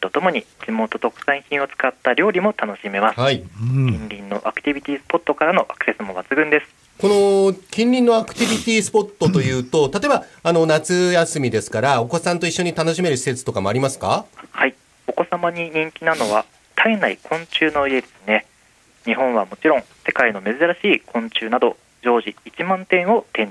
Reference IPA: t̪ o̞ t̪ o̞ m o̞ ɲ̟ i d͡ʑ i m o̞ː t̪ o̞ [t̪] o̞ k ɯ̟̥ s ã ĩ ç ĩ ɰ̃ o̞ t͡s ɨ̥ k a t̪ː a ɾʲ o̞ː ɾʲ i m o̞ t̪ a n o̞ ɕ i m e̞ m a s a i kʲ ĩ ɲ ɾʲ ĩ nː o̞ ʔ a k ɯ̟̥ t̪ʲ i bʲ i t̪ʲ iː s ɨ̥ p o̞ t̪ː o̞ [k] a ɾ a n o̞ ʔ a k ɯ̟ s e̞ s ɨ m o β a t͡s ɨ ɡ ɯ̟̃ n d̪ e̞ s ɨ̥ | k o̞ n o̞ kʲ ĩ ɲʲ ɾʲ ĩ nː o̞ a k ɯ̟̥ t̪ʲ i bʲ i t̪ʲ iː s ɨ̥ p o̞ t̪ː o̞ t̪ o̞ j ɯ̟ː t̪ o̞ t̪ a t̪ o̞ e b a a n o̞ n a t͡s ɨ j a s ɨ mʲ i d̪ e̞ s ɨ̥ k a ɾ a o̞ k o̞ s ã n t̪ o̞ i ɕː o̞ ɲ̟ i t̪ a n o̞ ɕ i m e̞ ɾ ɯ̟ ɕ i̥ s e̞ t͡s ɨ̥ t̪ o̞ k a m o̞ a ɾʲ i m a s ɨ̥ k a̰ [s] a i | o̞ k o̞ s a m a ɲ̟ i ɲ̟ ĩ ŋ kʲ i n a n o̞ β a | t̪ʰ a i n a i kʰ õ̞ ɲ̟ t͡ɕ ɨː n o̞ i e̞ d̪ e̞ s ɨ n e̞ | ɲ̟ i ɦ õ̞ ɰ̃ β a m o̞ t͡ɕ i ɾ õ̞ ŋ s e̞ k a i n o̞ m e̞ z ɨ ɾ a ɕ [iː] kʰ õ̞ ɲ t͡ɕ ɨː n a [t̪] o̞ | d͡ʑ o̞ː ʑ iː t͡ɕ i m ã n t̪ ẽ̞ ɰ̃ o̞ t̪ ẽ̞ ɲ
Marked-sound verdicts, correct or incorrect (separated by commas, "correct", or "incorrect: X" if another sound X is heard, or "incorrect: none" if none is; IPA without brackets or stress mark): correct, correct, incorrect: h, correct, incorrect: d̪